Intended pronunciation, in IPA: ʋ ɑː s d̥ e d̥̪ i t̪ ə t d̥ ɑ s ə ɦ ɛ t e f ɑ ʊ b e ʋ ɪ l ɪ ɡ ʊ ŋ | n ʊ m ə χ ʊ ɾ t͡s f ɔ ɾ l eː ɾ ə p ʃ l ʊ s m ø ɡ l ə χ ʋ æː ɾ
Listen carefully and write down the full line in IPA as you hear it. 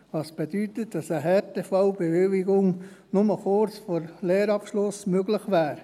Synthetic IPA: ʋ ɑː s b̥ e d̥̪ y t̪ ə t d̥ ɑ s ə ɦ ɛ t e f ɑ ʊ b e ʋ ɪ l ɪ ɡ ʊ ŋ | n ʊ m ə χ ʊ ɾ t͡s f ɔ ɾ l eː ɾ ɑ p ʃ l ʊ s m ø ɡ l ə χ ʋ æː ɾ